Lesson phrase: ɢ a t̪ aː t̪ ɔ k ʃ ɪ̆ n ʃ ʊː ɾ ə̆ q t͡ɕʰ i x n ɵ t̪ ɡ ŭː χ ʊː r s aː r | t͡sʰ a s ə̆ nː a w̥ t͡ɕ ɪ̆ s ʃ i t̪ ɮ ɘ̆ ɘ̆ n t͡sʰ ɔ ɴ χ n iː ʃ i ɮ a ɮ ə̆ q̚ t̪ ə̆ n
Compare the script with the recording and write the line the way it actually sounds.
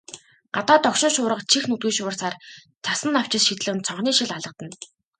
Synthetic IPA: ɢ a t̪ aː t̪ ɔ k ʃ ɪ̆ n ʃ ʊː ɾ ə̆ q t͡ɕʰ i x n ɵ t̪ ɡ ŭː ʃ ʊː r s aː r | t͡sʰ a s ə̆ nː a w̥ t͡ɕ ɪ̆ s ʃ i t̪ ɮ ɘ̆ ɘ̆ n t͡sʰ ɔ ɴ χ n iː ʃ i ɮ a ɮ ə̆ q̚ t̪ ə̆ n

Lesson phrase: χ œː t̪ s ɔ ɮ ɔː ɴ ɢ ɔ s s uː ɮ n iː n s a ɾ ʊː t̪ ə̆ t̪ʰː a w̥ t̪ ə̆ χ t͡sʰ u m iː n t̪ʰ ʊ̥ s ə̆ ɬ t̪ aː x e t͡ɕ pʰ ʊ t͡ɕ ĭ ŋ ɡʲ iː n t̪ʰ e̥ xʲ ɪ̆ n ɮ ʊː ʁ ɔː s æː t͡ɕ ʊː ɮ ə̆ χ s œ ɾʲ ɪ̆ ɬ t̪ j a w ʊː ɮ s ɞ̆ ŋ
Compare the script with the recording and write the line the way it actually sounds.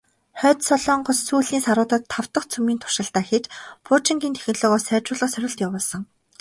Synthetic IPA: χ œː t̪ s ɔ ɮ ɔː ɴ ɢ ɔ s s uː ɮ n iː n s a ɾ ʊː t̪ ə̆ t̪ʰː a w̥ t̪ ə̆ χ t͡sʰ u m iː n t̪ʰ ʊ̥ ʃ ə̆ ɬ t̪ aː x e t͡ɕ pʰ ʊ t͡ɕ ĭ ŋ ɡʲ iː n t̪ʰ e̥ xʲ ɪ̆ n ɮ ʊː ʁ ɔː s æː t͡ɕ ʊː ɮ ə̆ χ s œ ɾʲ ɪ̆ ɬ t̪ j a w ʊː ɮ s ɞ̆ ŋ

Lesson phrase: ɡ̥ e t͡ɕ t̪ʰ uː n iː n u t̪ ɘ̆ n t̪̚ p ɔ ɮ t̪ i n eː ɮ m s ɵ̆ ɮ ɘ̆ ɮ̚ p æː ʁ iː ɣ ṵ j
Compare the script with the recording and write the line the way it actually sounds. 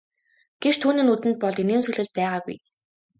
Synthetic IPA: ɡ̥ e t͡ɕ t̪ʰ uː n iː n u t̪ ɘ̆ n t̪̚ p ɔ ɮ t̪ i n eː m s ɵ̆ ɮ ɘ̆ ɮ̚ p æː ʁ aː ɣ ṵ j

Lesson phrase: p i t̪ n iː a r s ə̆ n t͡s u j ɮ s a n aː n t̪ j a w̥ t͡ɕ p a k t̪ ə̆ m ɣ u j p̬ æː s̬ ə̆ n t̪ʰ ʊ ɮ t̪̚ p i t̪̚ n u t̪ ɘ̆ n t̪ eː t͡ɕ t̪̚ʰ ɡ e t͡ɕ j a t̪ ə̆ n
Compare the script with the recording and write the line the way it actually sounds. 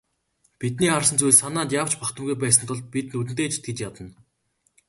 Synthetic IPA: p i t̪ n iː a r s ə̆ n t͡s u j ɮ s a n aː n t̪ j a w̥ t͡ɕ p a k t̪ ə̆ m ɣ u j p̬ æː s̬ ə̆ n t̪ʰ ʊ ɮ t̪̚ p i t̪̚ n u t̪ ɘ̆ n t̪ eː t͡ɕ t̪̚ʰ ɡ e t͡ɕ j a t̪ ə̆ n

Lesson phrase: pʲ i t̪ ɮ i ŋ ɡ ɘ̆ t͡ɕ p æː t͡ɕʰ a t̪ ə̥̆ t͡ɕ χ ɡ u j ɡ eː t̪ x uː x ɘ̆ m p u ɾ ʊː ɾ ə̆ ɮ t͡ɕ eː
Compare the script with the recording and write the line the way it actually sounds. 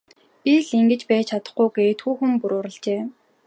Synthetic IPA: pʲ i ɮ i ŋ ɡ ɘ̆ t͡ɕ p æː t͡ɕʰ a t̪ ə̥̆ χ ɡ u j ɡ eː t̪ x uː x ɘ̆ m p u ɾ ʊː ɾ ə̆ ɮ t͡ɕ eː

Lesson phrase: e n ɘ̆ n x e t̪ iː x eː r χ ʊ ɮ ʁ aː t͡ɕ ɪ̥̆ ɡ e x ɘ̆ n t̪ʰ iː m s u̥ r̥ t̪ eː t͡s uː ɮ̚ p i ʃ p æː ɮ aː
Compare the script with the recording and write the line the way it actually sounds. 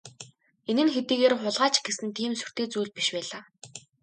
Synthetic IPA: e n ɘ̆ n x e t̪ iː ɣ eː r χ ʊ ɮ ʁ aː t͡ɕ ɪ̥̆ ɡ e s ɘ̆ n t̪ʰ iː m s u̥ r̥ t̪ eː t͡s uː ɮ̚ p i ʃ p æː ɮ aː

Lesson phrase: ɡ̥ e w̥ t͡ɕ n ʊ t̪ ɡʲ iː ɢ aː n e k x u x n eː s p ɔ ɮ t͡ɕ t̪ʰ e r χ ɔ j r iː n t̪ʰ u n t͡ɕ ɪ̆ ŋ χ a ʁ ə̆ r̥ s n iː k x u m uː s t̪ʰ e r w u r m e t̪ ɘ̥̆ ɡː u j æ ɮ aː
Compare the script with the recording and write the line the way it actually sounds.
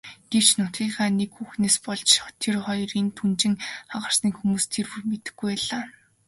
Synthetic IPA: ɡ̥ e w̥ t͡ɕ n ʊ t̪ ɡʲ iː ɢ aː n e k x u x n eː s p ɔ ɮ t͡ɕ t̪ʰ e r χ ɔ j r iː n t̪ʰ u n t͡ɕ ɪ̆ ŋ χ a ʁ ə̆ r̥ s n iː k x u m uː s t̪ʰ e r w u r m e t̪ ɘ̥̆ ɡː u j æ ɮ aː

